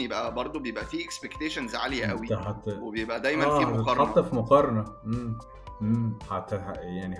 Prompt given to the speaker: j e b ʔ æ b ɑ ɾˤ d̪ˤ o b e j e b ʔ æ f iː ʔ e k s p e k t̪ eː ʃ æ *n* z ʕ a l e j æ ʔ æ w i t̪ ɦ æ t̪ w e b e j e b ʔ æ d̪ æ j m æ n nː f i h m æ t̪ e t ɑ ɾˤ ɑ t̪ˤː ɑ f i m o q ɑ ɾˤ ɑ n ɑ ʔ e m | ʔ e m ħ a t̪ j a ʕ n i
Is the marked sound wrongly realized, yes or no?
no